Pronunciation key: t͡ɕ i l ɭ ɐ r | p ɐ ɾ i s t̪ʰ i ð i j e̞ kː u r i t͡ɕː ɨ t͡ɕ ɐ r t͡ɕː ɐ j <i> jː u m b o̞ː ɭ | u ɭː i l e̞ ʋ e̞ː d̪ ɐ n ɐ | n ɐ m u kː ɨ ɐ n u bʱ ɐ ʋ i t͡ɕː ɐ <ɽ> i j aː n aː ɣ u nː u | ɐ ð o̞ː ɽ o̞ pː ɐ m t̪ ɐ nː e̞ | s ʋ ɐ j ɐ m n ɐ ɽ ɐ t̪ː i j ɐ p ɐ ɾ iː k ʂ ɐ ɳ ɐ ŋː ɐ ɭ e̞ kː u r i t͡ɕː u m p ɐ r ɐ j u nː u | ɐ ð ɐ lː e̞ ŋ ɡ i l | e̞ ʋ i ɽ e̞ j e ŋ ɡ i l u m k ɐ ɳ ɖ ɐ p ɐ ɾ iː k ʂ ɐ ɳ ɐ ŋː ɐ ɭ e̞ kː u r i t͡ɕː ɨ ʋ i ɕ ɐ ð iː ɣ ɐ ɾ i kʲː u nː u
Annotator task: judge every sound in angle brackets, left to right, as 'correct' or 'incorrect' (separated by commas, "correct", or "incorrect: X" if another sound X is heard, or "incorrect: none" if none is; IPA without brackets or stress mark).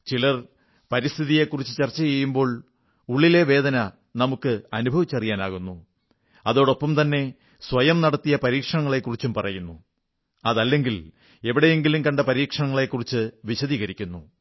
incorrect: e, incorrect: r